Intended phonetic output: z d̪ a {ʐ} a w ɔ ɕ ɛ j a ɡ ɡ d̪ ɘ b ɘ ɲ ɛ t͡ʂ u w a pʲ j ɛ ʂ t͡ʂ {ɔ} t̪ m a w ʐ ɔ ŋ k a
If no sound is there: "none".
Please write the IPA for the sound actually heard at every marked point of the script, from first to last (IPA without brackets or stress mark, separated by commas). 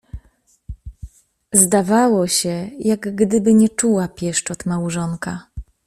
v, ɔ